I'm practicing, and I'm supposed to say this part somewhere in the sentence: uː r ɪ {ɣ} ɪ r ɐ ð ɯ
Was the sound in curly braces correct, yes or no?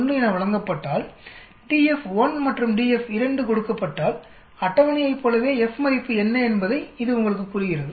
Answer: yes